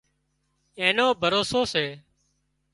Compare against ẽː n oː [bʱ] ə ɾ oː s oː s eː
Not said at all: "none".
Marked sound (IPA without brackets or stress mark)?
bʱ